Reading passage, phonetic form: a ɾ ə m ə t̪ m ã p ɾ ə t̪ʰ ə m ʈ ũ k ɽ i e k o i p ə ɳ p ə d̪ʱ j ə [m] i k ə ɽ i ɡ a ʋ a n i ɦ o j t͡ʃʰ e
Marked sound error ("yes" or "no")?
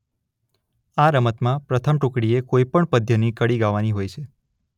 yes